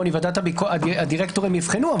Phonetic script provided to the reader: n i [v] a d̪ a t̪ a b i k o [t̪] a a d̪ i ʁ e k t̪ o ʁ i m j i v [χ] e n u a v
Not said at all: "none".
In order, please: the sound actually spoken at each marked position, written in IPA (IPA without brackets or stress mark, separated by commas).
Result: v, none, χ